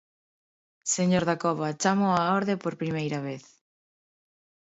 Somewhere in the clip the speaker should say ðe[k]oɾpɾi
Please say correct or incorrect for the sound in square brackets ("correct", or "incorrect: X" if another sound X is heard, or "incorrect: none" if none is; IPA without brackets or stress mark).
incorrect: p